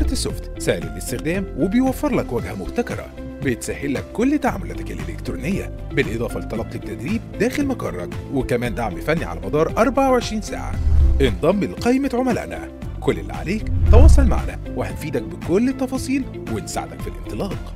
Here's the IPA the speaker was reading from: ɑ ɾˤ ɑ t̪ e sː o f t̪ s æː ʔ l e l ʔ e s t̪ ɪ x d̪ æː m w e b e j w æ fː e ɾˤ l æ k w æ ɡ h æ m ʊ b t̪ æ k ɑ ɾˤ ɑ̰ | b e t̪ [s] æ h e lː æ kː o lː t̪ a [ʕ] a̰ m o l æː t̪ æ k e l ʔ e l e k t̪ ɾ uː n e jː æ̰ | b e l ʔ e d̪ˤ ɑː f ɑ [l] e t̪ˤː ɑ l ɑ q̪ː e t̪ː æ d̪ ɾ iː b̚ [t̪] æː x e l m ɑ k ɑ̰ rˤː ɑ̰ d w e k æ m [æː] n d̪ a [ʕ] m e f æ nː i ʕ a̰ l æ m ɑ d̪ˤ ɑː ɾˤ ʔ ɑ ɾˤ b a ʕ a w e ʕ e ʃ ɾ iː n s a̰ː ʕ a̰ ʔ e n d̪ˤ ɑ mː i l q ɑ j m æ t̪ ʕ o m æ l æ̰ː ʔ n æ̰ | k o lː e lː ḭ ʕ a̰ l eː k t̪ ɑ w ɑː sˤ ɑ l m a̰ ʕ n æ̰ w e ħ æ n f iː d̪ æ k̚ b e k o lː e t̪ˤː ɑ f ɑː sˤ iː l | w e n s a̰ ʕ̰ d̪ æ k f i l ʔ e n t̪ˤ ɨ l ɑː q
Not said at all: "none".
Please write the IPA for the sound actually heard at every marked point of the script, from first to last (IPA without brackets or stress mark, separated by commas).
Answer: s, ʕ, l, d̪, æː, ʕ